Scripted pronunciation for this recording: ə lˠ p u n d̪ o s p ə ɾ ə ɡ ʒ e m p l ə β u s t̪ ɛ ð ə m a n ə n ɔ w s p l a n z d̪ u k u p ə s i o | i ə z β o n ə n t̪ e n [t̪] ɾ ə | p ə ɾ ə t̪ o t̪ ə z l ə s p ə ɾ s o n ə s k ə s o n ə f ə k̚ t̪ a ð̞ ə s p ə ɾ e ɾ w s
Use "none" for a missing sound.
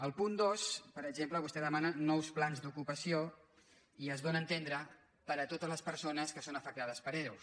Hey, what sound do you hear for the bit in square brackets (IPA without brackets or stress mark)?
d̪